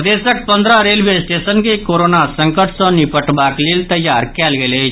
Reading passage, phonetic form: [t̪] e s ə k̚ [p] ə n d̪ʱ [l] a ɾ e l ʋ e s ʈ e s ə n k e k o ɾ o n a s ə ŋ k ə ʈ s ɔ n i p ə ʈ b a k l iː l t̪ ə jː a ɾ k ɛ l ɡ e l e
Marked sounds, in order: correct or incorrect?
incorrect, correct, incorrect

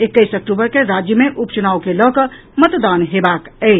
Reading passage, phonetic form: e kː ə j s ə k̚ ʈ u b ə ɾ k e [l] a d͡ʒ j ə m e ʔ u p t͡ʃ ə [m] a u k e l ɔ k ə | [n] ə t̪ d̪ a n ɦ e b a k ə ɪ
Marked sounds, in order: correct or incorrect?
incorrect, incorrect, incorrect

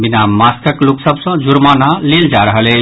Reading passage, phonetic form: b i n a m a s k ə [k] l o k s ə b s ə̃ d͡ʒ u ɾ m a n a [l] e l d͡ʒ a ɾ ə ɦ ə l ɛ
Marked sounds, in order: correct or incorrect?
correct, correct

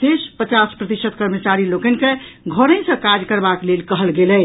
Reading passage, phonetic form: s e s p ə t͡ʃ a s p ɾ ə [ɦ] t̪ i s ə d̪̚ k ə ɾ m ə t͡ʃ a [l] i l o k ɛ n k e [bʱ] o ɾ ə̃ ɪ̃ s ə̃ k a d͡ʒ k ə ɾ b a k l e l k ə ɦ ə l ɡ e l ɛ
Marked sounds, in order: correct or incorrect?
incorrect, incorrect, incorrect

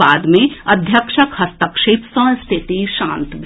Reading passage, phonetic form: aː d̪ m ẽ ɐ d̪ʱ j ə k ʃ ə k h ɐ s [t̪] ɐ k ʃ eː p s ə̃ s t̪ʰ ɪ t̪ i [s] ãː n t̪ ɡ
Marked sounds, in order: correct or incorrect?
correct, incorrect

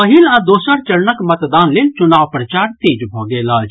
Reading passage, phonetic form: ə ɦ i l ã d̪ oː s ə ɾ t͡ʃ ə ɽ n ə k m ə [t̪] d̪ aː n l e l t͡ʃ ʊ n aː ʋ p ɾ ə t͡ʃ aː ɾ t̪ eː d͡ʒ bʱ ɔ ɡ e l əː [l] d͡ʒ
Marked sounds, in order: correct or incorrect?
correct, incorrect

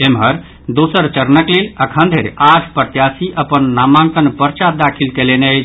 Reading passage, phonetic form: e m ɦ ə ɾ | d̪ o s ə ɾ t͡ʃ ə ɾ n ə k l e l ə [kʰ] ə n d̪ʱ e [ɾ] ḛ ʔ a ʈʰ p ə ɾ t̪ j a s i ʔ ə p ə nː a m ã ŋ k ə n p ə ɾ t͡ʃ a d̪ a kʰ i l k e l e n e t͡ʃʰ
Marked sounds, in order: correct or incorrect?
correct, correct

